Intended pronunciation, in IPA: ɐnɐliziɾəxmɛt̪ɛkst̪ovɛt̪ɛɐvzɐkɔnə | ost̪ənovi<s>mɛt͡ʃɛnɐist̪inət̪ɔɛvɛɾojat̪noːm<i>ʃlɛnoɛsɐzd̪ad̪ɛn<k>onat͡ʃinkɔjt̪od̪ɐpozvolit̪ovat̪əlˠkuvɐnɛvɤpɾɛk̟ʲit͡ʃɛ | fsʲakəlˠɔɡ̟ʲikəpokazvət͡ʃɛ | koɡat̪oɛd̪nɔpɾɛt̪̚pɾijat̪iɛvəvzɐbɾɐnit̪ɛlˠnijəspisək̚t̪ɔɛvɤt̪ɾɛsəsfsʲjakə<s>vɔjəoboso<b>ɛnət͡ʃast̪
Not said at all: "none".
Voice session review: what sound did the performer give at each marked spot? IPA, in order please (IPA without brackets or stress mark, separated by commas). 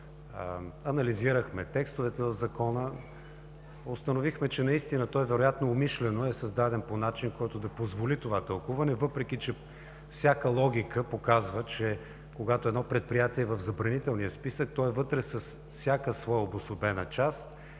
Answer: x, i, p, s, b